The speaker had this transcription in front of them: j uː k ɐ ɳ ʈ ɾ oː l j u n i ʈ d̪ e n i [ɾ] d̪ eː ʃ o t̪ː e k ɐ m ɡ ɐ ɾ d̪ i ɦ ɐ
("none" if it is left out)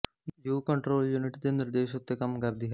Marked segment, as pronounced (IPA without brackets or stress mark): ɾ